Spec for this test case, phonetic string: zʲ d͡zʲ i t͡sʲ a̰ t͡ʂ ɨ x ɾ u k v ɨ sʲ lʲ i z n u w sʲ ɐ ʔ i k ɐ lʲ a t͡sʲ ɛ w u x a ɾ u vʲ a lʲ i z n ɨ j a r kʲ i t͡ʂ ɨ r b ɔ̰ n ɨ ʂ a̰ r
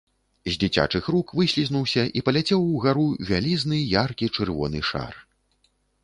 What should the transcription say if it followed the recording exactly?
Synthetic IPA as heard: zʲ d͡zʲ i t͡sʲ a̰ t͡ʂ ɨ x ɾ u k v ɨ sʲ lʲ i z n u w sʲ ɐ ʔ i p ɐ lʲ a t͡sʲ ɛ w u ɣ a ɾ u vʲ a lʲ i z n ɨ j a r kʲ i t͡ʂ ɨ r v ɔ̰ n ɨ ʂ a̰ r